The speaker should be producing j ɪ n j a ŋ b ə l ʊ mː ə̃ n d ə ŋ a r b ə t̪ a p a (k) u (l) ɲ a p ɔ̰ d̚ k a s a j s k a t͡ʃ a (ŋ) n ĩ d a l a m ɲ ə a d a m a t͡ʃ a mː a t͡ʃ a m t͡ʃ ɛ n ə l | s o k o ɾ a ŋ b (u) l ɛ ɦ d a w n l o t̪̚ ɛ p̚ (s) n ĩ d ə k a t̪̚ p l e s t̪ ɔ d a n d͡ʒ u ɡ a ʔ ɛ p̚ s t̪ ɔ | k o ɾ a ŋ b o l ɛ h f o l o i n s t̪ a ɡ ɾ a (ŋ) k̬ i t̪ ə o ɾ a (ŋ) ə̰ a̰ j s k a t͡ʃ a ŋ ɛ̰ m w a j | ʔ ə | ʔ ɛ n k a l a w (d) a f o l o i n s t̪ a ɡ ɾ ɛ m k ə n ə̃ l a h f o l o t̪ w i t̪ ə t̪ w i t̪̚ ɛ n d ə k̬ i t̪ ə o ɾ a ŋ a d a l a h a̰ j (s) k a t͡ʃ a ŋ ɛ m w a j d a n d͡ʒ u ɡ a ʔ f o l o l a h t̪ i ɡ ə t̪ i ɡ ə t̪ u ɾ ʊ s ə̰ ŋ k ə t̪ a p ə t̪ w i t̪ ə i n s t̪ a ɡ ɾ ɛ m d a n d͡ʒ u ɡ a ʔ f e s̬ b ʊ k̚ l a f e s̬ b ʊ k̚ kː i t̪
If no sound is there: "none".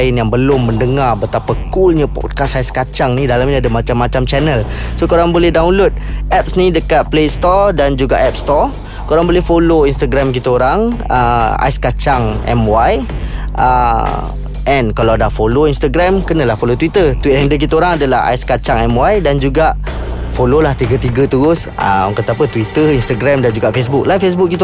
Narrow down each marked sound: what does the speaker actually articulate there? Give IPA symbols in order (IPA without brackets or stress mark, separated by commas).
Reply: k, l, ŋ, o, s, m, ŋ, d, s